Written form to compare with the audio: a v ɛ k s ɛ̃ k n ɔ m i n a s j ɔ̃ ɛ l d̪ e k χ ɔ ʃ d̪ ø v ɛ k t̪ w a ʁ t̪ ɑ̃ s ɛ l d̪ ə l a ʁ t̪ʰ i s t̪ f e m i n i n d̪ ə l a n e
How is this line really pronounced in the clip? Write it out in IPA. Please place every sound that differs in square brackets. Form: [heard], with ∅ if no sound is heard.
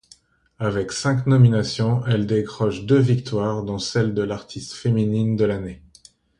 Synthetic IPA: a v ɛ k s ɛ̃ k n ɔ m i n a s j ɔ̃ ɛ l d̪ e k χ ɔ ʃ d̪ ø v [i] k t̪ w a ʁ [d̪] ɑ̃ s ɛ l d̪ ə l a ʁ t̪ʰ i s t̪ f e m i n i n d̪ ə l a n e